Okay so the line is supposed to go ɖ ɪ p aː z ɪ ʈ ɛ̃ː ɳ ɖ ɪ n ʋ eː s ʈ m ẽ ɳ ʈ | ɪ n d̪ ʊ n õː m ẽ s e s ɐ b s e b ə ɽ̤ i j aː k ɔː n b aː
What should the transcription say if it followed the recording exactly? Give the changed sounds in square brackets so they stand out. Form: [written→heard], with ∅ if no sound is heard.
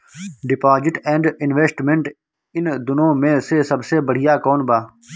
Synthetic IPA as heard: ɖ ɪ p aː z ɪ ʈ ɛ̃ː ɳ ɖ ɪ n ʋ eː s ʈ m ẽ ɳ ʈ | ɪ n d̪ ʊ n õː m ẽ s e s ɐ b s e b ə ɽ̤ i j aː k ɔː n b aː